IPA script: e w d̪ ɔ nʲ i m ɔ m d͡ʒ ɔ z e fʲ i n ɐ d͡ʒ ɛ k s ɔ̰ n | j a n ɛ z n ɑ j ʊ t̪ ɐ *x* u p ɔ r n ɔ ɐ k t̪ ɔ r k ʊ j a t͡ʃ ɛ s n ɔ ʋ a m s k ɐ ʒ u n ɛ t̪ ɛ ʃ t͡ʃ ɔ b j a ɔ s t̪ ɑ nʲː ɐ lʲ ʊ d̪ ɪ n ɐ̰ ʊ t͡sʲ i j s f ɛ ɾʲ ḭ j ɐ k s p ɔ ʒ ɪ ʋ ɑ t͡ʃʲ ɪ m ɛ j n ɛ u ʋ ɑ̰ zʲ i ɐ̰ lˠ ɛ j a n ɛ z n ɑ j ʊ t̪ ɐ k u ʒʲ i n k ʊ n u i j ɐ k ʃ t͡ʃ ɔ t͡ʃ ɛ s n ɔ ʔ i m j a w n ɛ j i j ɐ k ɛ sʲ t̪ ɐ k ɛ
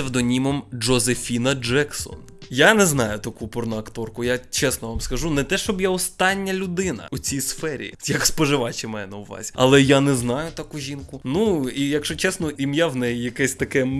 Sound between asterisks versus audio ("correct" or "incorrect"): incorrect